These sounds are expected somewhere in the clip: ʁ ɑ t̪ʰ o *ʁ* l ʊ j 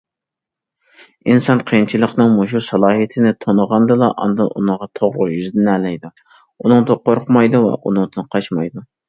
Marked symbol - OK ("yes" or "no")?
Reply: yes